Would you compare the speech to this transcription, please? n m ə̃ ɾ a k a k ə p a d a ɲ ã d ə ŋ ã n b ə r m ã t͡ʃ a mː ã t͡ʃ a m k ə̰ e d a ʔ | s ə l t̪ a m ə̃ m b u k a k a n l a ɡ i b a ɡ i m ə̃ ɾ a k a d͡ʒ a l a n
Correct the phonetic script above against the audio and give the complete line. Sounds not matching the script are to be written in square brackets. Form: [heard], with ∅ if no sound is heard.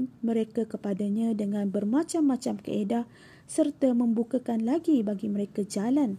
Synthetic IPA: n m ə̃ ɾ [e] k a k ə p a d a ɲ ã d ə ŋ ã n b ə r m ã t͡ʃ a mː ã t͡ʃ a m k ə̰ e d a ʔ | s ə [r] t̪ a m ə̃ m b u k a k a n l a ɡ i b a ɡ i m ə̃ ɾ [e] k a d͡ʒ a l a n